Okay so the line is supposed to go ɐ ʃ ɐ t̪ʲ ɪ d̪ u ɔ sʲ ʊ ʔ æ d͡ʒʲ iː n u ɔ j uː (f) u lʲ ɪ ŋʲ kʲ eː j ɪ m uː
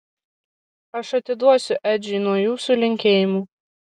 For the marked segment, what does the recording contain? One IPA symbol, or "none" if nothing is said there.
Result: s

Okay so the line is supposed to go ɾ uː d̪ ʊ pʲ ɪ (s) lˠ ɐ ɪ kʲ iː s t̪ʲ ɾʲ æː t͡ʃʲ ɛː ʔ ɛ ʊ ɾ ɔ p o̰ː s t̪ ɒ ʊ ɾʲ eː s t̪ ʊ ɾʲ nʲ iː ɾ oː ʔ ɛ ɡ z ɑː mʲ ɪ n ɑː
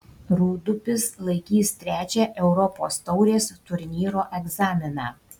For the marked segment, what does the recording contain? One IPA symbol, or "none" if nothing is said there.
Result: s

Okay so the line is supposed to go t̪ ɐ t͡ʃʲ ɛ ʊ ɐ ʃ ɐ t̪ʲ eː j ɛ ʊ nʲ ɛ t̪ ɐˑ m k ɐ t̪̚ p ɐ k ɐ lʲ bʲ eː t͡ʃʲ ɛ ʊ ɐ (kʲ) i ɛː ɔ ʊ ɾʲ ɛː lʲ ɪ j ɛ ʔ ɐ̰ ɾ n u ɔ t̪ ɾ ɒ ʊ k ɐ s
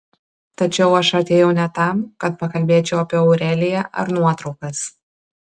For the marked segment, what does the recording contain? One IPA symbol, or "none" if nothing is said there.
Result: pʲ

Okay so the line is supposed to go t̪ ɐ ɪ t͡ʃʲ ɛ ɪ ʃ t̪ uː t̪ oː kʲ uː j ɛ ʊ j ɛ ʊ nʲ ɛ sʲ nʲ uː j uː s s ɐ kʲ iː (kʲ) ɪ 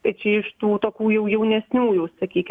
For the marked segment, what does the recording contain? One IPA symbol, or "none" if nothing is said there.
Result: kʲ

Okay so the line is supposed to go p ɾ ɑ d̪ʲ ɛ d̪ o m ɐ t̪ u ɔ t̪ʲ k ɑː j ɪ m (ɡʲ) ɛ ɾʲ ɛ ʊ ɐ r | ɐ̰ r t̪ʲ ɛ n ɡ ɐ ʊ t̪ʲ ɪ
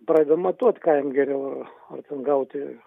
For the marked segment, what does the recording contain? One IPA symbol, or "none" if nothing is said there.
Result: ɡʲ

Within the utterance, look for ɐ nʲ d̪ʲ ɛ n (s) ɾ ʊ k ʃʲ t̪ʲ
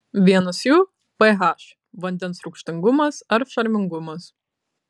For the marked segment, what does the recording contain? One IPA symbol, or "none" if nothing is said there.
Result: s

